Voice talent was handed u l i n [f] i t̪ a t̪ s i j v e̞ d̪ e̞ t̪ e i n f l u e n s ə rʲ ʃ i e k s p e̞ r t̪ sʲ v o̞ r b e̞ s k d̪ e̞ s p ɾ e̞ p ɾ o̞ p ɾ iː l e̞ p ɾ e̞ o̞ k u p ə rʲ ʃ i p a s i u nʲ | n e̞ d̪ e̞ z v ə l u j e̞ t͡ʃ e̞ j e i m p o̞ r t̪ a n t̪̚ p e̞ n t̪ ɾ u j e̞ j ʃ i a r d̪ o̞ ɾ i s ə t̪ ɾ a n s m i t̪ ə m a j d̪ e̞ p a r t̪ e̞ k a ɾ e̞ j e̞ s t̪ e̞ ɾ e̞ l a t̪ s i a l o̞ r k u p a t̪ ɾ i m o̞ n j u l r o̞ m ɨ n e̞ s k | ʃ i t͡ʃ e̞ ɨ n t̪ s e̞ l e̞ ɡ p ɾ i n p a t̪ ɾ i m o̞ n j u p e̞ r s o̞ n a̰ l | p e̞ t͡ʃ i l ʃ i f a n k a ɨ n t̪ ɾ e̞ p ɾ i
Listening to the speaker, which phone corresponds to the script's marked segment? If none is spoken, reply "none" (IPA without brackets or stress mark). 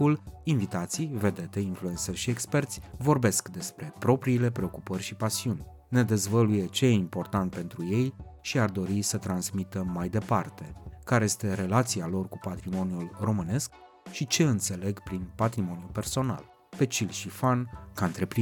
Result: v